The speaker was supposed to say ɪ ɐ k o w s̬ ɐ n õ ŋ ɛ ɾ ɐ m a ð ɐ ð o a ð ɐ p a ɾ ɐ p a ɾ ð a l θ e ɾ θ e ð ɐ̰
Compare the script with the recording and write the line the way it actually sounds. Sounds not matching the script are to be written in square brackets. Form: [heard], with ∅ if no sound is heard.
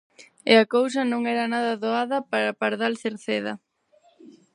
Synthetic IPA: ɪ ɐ k o w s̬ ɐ n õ ŋ ɛ ɾ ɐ [n] a ð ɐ ð o a ð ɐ p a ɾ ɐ p a ɾ ð a l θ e ɾ θ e ð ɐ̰